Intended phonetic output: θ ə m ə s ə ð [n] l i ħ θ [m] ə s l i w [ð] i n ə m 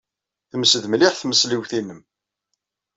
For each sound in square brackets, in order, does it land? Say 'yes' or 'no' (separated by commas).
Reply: no, yes, no